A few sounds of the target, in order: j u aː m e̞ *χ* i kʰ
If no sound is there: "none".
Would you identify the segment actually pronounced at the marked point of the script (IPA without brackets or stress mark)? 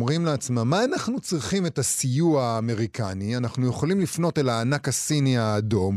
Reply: ʁ